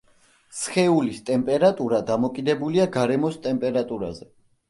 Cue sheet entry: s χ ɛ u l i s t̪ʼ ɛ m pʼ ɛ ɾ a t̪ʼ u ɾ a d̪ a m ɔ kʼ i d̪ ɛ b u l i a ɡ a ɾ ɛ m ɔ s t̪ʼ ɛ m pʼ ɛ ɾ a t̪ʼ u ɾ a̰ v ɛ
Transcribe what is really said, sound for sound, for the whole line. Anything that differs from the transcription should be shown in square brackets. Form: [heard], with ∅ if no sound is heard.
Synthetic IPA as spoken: s χ ɛ u l i s t̪ʼ ɛ m pʼ ɛ ɾ a t̪ʼ u ɾ a d̪ a m ɔ kʼ i d̪ ɛ b u l i a ɡ a ɾ ɛ m ɔ s t̪ʼ ɛ m pʼ ɛ ɾ a t̪ʼ u ɾ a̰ [z] ɛ